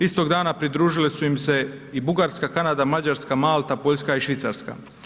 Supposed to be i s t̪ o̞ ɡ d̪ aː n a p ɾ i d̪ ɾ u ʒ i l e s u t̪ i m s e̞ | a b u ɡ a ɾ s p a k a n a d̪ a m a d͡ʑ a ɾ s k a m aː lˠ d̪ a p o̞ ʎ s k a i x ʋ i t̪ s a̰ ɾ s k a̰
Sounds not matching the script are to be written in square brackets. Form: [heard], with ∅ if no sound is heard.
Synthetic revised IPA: i s t̪ o̞ ɡ d̪ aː n a p ɾ i d̪ ɾ [uː] ʒ i l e s u [∅] i m s e̞ | [i] b u ɡ a ɾ s [k] a k a n a d̪ a m a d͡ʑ a ɾ s k a m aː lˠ [t̪] a p o̞ ʎ s k a i [ʃ] ʋ i t̪ s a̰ ɾ s k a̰

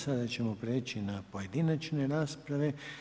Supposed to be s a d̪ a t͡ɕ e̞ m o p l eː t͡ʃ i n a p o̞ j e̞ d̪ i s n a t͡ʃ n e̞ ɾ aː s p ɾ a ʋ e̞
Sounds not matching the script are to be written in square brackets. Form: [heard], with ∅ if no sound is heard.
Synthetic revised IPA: s a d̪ a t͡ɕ e̞ m o p [ɾ] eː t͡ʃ i n a p o̞ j e̞ d̪ i [∅] n a t͡ʃ n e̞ ɾ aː s p ɾ a ʋ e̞

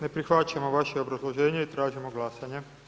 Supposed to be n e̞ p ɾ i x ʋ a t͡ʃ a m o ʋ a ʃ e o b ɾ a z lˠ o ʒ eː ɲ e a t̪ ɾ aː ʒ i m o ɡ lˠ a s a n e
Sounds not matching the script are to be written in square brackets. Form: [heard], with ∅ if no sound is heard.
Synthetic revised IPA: n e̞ p ɾ i x ʋ a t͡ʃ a m o ʋ a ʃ e o b ɾ a z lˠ o ʒ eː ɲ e [i] t̪ ɾ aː ʒ i m o ɡ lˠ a s a [ɲ] e

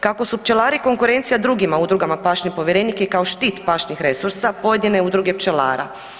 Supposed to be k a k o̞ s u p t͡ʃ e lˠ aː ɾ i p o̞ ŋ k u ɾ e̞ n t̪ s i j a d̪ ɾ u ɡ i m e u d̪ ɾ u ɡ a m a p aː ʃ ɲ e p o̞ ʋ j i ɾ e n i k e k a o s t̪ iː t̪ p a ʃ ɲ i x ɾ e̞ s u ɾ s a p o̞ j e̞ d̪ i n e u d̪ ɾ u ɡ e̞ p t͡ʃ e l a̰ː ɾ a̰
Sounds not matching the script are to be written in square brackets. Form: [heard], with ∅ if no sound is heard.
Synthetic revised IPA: k a k o̞ s u p t͡ʃ e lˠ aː ɾ i [k] o̞ ŋ k u ɾ e̞ n t̪ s i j a d̪ ɾ u ɡ i m [a] u d̪ ɾ u ɡ a m a p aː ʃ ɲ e p o̞ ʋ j [e] ɾ e n i k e k a o [ʃ] t̪ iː t̪ p a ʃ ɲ i x ɾ e̞ s u ɾ s a p o̞ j e̞ d̪ i n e u d̪ ɾ u ɡ e̞ p t͡ʃ e l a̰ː ɾ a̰

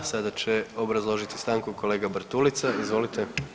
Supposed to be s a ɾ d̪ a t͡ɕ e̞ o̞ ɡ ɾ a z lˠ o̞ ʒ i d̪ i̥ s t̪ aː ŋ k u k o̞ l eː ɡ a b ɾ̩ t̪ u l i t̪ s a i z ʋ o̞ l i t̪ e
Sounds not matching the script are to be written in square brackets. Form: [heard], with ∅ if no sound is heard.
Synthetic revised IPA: s a [∅] d̪ a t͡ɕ e̞ o̞ [b] ɾ a z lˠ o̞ ʒ i [t̪] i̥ s t̪ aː ŋ k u k o̞ l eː ɡ a b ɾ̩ t̪ u l i t̪ s a i z ʋ o̞ l i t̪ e

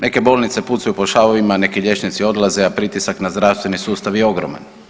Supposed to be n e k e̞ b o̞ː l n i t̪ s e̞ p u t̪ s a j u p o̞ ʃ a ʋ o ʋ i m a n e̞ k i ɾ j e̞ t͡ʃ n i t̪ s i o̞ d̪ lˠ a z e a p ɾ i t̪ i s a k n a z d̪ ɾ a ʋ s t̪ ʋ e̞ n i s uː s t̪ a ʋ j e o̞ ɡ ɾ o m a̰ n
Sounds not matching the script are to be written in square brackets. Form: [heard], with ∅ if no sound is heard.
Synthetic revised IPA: n e k e̞ b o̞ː l n i t̪ s e̞ p u t̪ s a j u p o̞ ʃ a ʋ o ʋ i m a n e̞ k i [ʎ] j e̞ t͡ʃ n i t̪ s i o̞ d̪ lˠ a z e a p ɾ i t̪ i s a k n a z d̪ ɾ a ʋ s t̪ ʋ e̞ n i s uː s t̪ a ʋ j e o̞ ɡ ɾ o m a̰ n

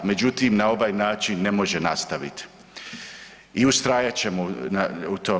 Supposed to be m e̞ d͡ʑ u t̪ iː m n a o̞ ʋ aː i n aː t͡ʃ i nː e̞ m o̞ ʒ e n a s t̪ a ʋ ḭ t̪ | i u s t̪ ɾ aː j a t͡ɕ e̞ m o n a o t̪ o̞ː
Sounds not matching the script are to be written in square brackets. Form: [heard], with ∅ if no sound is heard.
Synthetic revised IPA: m e̞ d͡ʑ u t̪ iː m n a o̞ ʋ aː [j] n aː t͡ʃ i nː e̞ m o̞ ʒ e n a s t̪ a ʋ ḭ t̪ | i u s t̪ ɾ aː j a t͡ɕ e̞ m o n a [u] t̪ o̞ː

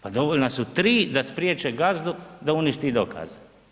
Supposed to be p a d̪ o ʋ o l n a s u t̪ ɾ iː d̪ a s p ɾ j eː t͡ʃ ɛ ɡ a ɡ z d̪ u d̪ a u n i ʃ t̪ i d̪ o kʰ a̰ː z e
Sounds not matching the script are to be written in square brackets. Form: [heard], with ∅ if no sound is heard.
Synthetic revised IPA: p a d̪ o ʋ o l n a s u t̪ ɾ iː d̪ a s p ɾ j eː t͡ʃ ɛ ɡ a [∅] z d̪ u d̪ a u n i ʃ t̪ i d̪ o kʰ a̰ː z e

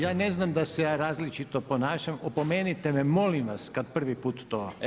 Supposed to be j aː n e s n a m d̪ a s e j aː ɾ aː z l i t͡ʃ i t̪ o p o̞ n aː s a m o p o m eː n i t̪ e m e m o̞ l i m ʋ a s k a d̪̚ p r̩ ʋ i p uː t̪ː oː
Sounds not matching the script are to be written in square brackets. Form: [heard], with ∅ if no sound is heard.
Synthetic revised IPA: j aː n e [z] n a m d̪ a s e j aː ɾ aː z l i t͡ʃ i t̪ o p o̞ n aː [ʃ] a m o p o m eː n i t̪ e m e m o̞ l i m ʋ a s k a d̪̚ p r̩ ʋ i p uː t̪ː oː

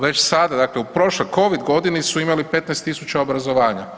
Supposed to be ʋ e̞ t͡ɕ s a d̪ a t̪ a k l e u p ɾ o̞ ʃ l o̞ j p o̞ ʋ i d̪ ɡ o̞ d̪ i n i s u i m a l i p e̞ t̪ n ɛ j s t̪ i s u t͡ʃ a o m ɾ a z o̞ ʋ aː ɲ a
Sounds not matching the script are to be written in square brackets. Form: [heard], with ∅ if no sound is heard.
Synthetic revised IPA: ʋ e̞ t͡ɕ s a d̪ a [d̪] a k l e u p ɾ o̞ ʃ l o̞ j [k] o̞ ʋ i d̪ ɡ o̞ d̪ i n i s u i m a l i p e̞ t̪ n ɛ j s t̪ i s u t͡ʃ a o [b] ɾ a z o̞ ʋ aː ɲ a

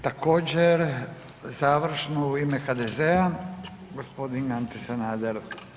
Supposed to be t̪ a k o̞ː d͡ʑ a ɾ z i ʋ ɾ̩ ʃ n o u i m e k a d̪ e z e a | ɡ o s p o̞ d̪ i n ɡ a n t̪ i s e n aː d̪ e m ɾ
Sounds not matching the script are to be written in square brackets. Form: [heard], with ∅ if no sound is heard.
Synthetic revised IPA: t̪ a k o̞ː d͡ʑ [e] ɾ z [a] ʋ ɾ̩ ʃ n o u i m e [x] a d̪ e z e a | ɡ o s p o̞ d̪ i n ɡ a n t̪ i s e n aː d̪ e [∅] ɾ

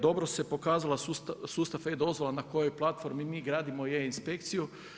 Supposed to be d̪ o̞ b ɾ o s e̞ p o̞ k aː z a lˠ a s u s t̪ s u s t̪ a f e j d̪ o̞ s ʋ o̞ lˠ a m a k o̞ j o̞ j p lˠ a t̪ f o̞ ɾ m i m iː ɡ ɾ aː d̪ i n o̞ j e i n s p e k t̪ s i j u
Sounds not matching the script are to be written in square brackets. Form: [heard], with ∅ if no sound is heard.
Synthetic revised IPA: d̪ o̞ b ɾ o s e̞ p o̞ k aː z a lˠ a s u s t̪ s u s t̪ a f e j d̪ o̞ [z] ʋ o̞ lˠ a [n] a k o̞ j o̞ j p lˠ a t̪ f o̞ ɾ m i m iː ɡ ɾ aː d̪ i [m] o̞ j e i n s p e k t̪ s i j u

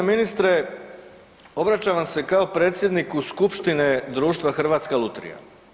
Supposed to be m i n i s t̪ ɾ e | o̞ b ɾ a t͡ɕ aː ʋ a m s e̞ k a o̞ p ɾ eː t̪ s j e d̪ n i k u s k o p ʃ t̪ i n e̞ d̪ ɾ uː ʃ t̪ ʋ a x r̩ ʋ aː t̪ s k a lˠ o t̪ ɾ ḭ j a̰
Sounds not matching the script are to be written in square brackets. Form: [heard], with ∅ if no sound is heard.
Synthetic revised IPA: m i n i s t̪ ɾ e | o̞ b ɾ a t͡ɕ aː ʋ a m s e̞ k a o̞ p ɾ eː t̪ s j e d̪ n i k u s k [u] p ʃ t̪ i n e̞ d̪ ɾ uː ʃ t̪ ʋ a x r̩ ʋ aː t̪ s k a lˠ [u] t̪ ɾ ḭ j a̰

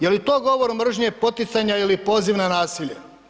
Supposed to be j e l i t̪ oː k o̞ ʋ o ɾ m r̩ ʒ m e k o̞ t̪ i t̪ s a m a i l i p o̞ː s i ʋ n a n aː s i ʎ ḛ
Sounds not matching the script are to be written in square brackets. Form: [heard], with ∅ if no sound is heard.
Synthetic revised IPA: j e l i t̪ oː [ɡ] o̞ ʋ o ɾ m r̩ ʒ [ɲ] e [p] o̞ t̪ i t̪ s a [ɲ] a i l i p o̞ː [z] i ʋ n a n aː s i ʎ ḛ

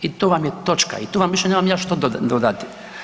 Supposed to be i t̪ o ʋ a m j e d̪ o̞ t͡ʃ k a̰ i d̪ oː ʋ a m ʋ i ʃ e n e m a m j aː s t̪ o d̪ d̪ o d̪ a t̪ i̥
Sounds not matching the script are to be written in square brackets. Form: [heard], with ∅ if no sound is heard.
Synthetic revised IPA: i t̪ o ʋ a m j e [t̪] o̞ t͡ʃ k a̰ i [t̪] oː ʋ a m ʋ i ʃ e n e m a m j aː [ʃ] t̪ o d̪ d̪ o d̪ a t̪ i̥

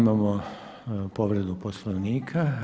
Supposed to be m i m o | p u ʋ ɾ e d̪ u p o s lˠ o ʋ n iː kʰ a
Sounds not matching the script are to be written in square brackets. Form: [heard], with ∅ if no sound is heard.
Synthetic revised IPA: m [a] m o | p [o] ʋ ɾ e d̪ u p o s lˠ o ʋ n iː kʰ a

